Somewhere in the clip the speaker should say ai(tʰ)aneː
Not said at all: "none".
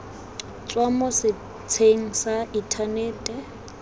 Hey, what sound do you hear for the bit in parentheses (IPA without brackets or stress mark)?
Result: tʰ